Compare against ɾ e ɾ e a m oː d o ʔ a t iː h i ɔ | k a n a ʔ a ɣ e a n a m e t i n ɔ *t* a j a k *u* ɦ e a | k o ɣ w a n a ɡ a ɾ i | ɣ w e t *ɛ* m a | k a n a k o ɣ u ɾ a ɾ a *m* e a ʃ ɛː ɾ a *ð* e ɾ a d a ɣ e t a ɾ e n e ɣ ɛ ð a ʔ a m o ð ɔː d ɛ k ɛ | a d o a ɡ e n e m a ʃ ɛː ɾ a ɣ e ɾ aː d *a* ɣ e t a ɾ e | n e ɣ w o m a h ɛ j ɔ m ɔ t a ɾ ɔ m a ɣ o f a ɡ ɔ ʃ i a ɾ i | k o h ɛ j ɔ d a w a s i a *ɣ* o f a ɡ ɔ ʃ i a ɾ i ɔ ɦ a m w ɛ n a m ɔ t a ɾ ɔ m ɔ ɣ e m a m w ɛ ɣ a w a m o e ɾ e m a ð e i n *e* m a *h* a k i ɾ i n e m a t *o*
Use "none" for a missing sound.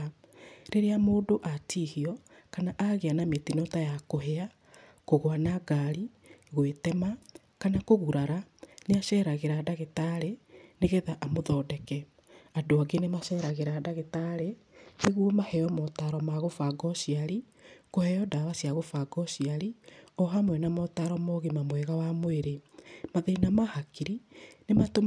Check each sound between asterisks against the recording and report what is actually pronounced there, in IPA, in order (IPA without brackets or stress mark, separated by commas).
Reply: t, o, ɛ, n, ɣ, a, ɣ, a, h, o